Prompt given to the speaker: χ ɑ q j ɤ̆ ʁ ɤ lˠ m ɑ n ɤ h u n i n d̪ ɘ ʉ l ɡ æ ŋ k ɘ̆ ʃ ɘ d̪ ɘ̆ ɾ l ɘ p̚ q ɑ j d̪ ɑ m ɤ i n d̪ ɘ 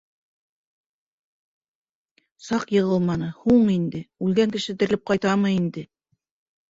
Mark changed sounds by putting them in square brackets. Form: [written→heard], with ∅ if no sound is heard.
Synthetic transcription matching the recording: [χ→s] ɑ q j ɤ̆ ʁ ɤ lˠ m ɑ n ɤ h u [n→ɴ] i n d̪ ɘ ʉ l ɡ æ ŋ k ɘ̆ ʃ ɘ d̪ ɘ̆ ɾ l ɘ p̚ q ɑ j [d̪→t̪] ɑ m ɤ i n d̪ ɘ

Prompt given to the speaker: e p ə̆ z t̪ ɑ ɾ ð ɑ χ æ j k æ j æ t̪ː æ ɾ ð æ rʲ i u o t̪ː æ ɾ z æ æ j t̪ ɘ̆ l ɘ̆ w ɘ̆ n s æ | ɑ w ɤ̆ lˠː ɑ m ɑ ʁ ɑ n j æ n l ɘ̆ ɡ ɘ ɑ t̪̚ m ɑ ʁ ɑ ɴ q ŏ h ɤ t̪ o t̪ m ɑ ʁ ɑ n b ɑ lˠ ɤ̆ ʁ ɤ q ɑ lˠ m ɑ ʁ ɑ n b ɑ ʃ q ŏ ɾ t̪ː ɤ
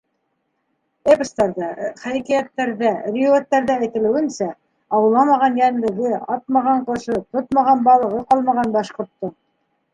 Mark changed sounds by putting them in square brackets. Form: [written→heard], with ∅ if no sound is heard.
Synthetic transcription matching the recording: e p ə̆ [z→s] t̪ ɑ ɾ ð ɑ χ æ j k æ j æ t̪ː æ ɾ ð æ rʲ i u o t̪ː æ ɾ [z→ð] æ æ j t̪ ɘ̆ l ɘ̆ w ɘ̆ n s æ | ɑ w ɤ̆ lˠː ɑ m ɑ ʁ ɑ n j æ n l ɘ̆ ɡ ɘ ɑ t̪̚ m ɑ ʁ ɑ ɴ q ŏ [h→ʃ] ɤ t̪ o t̪ m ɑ ʁ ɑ n b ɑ lˠ ɤ̆ ʁ ɤ q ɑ lˠ m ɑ ʁ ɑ n b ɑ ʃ q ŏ ɾ t̪ː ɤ

